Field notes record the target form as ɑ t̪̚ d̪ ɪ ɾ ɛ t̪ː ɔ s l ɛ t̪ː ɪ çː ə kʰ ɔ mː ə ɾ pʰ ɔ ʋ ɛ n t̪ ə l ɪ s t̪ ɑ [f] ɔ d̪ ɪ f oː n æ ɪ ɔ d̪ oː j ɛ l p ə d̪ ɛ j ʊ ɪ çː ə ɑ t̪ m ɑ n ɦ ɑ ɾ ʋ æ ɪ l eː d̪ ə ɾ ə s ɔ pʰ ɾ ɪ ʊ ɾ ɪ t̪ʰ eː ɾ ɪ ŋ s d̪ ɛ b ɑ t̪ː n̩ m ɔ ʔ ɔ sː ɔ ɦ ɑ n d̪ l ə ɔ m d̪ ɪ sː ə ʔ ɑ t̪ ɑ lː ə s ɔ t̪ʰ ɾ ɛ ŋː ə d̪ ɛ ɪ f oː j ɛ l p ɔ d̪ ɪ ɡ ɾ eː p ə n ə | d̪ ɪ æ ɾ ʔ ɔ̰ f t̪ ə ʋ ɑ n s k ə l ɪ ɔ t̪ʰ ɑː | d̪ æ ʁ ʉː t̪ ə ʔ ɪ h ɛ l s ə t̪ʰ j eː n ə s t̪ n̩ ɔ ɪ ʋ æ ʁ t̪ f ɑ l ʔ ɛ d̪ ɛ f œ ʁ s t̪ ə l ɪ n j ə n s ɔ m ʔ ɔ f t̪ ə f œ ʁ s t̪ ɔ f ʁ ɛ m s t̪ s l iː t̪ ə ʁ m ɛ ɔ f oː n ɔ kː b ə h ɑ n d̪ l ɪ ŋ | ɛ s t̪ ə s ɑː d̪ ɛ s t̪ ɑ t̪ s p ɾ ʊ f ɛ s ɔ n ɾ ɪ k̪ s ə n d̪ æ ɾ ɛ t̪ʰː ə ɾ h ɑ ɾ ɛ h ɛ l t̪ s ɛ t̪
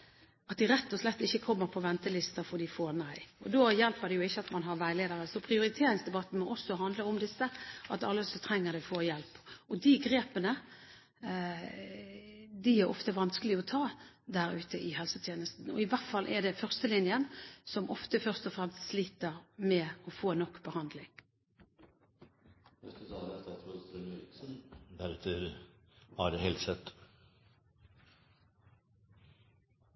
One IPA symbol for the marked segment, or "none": f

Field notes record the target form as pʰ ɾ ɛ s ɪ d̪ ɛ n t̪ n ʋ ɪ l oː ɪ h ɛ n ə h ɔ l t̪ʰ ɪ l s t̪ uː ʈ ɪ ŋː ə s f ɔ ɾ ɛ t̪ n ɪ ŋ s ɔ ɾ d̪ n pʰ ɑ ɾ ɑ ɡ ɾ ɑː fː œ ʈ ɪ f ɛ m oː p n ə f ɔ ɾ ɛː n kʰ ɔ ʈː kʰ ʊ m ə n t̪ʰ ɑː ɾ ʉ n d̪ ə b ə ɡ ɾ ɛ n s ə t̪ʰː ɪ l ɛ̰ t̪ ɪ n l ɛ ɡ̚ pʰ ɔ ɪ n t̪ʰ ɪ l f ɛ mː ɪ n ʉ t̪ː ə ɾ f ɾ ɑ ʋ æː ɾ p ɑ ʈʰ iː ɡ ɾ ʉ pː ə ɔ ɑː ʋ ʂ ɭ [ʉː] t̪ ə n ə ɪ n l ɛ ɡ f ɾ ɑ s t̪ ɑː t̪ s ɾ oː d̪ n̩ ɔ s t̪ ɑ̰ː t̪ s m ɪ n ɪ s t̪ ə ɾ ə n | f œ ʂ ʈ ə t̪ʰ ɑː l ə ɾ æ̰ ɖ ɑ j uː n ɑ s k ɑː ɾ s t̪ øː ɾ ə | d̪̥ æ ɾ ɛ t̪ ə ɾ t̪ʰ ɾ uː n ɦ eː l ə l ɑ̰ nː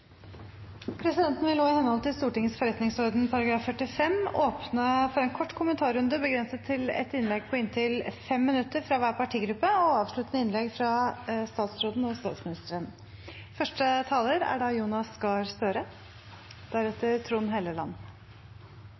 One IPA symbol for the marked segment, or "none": ʉ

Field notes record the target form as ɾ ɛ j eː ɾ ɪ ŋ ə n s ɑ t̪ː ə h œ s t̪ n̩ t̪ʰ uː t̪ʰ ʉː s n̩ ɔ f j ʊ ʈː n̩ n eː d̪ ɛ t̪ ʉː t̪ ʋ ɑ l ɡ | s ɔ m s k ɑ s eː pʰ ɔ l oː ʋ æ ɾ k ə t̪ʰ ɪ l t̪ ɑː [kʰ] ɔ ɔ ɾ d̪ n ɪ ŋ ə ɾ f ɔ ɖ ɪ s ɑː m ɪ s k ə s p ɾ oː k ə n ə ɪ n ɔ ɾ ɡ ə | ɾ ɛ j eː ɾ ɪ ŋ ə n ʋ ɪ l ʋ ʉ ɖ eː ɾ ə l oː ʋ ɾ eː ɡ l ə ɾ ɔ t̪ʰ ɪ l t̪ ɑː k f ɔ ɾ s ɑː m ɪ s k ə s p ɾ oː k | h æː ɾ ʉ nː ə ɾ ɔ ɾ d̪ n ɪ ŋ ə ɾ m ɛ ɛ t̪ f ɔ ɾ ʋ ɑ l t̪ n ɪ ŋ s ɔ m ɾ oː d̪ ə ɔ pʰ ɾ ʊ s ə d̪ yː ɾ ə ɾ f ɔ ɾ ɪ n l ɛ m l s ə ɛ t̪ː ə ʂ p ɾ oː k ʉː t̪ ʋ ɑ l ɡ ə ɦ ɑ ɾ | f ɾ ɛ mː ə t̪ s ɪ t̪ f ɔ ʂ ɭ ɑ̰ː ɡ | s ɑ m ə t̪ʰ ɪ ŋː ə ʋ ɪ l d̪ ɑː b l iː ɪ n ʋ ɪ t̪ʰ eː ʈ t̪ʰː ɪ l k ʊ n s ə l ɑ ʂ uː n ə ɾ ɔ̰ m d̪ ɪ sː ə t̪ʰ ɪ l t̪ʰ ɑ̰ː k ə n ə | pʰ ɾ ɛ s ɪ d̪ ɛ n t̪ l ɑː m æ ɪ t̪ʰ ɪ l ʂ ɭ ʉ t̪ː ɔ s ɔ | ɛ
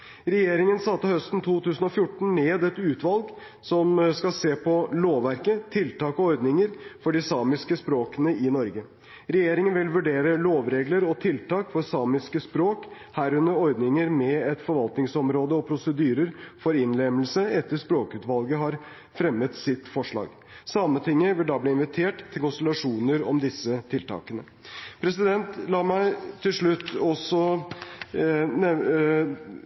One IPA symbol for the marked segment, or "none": k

